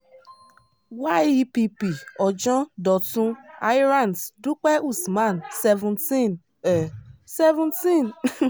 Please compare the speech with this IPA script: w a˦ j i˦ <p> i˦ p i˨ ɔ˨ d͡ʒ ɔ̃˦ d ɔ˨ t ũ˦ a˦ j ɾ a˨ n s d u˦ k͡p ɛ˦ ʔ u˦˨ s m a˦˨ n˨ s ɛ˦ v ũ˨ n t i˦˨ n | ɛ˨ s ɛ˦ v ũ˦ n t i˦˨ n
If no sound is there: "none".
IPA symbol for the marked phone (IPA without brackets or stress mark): p